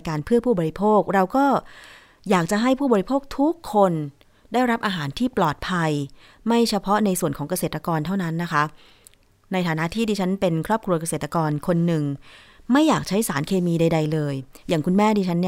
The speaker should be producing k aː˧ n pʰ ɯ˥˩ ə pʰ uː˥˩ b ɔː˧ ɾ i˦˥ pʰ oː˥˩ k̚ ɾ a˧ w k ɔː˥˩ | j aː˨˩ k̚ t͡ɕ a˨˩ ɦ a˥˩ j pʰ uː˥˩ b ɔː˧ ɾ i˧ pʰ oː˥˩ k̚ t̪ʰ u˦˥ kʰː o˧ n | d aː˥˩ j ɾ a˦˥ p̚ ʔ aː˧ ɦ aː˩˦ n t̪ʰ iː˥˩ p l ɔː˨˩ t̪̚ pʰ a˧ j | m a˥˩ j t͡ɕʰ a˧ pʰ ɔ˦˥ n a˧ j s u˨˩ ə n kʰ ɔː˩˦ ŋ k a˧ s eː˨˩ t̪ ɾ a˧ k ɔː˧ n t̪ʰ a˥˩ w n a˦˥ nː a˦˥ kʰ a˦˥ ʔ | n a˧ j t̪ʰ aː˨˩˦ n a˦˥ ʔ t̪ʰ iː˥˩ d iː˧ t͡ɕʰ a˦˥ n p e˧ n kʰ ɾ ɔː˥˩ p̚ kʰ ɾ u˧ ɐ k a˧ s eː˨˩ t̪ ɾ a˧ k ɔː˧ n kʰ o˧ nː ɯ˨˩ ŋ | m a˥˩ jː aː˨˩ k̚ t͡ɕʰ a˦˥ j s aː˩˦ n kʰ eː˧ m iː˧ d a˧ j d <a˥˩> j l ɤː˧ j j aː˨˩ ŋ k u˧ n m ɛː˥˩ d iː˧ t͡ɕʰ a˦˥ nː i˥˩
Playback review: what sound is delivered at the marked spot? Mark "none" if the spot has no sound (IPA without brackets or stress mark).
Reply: a˧